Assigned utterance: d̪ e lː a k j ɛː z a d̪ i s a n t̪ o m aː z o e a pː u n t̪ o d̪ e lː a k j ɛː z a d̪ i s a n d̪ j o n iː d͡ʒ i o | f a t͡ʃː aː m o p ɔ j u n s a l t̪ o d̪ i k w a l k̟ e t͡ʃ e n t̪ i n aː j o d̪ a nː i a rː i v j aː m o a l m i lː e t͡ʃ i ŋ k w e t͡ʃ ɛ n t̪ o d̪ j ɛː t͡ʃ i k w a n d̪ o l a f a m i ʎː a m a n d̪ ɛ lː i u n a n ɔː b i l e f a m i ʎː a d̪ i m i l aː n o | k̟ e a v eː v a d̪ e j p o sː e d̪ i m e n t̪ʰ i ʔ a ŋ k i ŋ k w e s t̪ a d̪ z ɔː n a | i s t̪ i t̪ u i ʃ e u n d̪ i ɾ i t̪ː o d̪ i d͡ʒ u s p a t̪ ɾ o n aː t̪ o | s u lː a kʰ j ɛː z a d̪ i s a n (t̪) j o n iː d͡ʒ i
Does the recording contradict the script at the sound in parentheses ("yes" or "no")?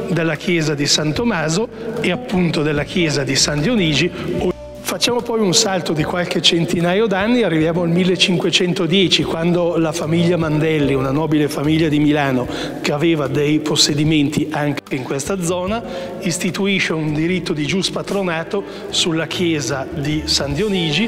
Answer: yes